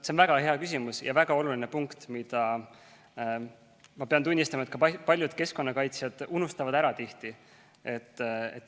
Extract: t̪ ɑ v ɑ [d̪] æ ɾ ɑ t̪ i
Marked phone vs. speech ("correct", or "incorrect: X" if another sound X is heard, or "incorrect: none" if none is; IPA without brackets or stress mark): correct